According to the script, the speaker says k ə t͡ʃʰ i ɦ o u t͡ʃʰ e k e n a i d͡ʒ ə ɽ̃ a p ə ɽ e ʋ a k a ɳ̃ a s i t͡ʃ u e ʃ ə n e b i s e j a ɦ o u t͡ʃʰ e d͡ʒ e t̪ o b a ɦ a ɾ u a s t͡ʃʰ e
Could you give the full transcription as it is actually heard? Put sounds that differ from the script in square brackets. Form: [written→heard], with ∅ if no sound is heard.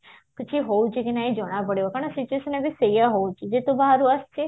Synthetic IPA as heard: k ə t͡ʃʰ i ɦ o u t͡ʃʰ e k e n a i d͡ʒ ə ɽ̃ a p ə ɽ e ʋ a k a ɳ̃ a s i t͡ʃ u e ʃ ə n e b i s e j a ɦ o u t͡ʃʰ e d͡ʒ e t̪ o b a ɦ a ɾ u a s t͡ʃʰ e